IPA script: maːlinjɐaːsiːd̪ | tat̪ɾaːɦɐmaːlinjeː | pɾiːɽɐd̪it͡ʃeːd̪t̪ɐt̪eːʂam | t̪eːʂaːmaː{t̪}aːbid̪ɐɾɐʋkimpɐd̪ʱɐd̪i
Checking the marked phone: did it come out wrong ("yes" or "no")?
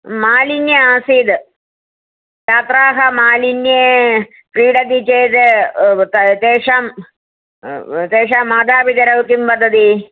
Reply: yes